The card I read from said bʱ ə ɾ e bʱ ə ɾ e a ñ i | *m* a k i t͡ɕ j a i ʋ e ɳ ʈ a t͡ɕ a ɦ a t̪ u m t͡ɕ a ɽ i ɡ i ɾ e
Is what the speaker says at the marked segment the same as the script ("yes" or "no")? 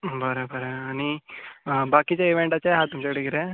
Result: no